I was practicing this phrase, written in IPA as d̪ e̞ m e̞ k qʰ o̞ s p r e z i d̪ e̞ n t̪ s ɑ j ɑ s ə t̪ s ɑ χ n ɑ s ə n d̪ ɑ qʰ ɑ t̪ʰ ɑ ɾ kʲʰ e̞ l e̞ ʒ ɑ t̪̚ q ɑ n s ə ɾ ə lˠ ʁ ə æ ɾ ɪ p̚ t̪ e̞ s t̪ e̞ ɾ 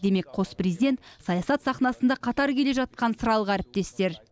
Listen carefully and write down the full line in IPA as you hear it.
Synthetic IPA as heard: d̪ e̞ m e̞ k qʰ o̞ s p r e z i d̪ e̞ n t̪ s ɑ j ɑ s ɑ t̪ s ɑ χ n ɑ s ə n d̪ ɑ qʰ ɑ t̪ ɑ ɾ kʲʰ e̞ l e̞ ʒ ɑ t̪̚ q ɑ n s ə ɾ ɑ lˠ ʁ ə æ ɾ ɪ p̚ t̪ e̞ s t̪ e̞ ɾ